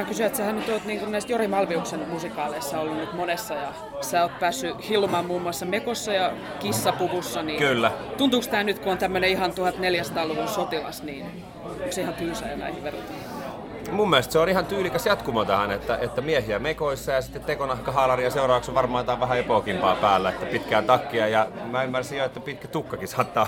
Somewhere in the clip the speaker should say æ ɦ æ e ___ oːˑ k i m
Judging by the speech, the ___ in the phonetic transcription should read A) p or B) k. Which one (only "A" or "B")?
A